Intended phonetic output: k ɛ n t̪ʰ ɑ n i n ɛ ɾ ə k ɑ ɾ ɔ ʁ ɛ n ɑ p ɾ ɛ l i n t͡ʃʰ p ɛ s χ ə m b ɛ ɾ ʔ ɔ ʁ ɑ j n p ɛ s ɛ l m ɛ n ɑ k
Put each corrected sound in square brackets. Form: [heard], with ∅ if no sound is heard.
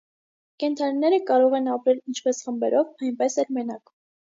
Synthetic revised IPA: k ɛ n t̪ʰ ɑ n i n ɛ ɾ ə k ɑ ɾ ɔ ʁ ɛ n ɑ p ɾ ɛ l i n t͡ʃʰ p ɛ s χ ə m b ɛ ɾ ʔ ɔ [v] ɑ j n p ɛ s ɛ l m ɛ n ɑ k